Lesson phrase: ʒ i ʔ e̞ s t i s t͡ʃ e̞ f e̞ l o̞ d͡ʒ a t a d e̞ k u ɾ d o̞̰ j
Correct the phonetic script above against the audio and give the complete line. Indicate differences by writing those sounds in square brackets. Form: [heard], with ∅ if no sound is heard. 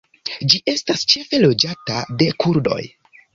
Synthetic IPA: [d͡ʒ] i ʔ e̞ s t [a] s t͡ʃ e̞ f e̞ l o̞ d͡ʒ a t a d e̞ k u ɾ d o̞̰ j